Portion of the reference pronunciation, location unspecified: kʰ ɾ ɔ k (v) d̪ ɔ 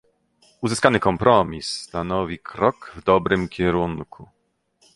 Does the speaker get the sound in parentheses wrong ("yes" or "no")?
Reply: no